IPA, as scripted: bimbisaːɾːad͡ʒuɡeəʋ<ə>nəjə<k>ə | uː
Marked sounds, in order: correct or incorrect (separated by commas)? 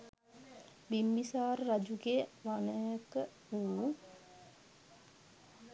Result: incorrect, correct